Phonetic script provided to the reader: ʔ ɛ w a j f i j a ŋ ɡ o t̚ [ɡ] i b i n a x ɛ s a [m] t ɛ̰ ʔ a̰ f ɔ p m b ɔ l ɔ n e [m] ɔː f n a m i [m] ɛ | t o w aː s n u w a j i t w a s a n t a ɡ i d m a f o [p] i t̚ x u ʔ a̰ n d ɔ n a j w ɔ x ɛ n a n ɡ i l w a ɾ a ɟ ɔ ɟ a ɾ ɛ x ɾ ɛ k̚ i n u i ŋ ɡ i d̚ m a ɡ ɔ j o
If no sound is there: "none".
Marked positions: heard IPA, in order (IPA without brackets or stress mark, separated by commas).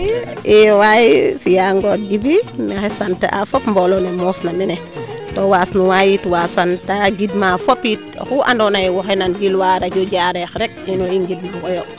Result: ɡ, n, m, n, p